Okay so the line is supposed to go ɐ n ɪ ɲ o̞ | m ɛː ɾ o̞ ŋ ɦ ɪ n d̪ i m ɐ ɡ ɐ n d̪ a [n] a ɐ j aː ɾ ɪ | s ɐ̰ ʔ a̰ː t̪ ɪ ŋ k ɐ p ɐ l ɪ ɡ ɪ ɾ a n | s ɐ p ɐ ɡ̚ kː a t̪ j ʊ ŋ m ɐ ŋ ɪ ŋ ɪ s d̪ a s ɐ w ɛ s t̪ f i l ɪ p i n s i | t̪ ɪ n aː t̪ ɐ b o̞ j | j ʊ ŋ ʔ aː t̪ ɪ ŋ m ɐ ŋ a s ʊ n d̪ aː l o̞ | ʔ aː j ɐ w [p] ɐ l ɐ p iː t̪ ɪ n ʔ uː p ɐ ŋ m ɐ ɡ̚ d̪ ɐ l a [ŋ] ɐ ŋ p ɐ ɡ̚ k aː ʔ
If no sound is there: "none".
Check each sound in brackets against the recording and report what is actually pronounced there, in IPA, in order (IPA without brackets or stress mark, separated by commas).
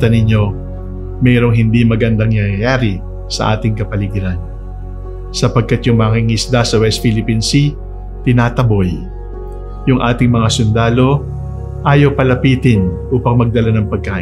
ŋ, p, n